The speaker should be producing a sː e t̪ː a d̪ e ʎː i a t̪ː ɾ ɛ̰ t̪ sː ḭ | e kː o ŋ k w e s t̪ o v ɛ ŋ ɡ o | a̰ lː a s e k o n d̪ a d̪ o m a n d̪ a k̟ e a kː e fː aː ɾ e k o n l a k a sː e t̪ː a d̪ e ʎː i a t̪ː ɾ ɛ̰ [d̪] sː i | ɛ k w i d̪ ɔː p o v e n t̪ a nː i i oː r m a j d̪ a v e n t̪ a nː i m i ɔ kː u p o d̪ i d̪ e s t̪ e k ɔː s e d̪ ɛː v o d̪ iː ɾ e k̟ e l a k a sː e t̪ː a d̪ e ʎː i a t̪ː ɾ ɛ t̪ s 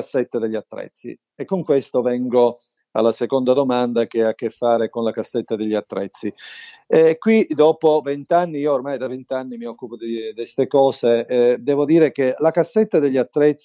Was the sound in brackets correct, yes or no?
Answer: no